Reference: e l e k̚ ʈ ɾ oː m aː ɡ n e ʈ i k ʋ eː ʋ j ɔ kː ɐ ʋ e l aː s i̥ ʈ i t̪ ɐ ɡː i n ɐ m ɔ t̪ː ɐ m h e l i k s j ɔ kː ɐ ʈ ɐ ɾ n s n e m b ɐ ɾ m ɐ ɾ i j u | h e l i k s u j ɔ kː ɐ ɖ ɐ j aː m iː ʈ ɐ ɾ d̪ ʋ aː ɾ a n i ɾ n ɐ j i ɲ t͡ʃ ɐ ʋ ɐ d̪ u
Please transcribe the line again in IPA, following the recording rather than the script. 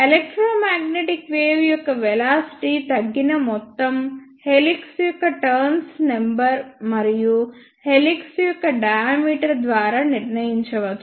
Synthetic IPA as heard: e l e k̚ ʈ ɾ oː m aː ɡ n e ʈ i k ʋ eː ʋ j ɔ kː ɐ ʋ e l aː s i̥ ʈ i t̪ ɐ ɡː i n ɐ m ɔ t̪ː ɐ m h e l i k s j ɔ kː ɐ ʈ ɐ ɾ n s n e m b ɐ ɾ m ɐ ɾ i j u | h e l i k s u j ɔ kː ɐ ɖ ɐ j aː m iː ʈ ɐ ɾ d̪ ʋ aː ɾ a n i ɾ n ɐ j i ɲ t͡ʃ ɐ ʋ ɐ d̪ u